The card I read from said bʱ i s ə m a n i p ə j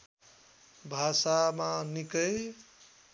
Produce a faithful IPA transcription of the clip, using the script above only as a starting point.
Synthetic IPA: bʱ a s a m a n i k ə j